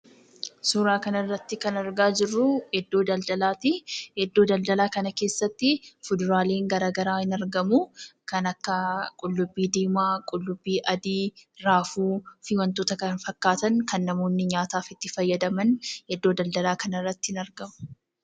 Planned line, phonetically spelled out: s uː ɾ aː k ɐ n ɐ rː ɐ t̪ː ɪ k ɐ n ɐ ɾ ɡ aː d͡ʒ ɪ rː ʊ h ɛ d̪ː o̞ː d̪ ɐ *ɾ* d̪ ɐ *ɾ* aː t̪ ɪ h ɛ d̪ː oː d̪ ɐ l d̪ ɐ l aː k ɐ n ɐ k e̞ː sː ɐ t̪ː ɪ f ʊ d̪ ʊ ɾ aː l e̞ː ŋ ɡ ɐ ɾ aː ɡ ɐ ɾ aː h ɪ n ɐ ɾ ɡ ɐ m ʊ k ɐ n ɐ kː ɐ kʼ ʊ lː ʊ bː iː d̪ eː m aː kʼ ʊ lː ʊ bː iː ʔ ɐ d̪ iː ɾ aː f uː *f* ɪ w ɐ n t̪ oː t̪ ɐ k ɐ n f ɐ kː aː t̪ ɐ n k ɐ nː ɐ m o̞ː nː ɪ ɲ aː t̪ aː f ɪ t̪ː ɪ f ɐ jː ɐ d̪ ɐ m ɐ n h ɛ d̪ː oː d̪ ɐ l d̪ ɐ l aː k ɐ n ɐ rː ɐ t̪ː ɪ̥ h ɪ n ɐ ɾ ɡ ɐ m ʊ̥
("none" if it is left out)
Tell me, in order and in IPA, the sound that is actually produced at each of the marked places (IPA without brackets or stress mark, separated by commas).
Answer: l, l, f